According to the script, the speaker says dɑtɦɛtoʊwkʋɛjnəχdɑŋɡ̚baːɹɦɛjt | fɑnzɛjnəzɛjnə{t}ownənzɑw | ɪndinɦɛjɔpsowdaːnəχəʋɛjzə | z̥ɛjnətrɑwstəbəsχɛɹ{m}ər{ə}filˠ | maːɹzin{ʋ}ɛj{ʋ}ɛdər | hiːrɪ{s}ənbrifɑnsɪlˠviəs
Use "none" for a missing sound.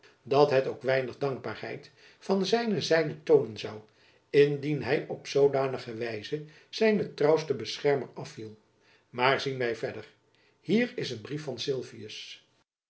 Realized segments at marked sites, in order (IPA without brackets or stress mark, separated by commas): t, m, ɑ, ʋ, v, s